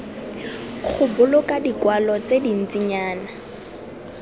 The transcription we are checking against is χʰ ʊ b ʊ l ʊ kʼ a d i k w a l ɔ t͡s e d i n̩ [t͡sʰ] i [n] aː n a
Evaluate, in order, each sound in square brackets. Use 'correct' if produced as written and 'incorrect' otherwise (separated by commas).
incorrect, incorrect